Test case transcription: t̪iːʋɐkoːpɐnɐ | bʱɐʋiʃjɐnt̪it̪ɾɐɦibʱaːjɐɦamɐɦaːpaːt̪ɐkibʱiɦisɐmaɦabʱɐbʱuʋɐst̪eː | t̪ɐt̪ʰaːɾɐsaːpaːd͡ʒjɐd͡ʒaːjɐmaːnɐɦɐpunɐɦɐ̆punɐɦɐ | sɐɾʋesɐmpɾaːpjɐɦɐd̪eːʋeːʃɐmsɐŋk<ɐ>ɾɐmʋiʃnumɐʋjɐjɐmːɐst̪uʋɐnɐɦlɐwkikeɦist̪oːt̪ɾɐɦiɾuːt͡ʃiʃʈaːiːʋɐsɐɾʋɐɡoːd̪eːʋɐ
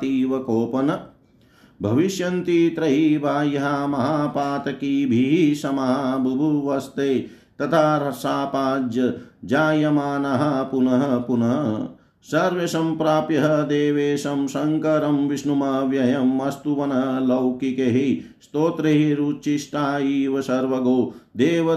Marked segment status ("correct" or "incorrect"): correct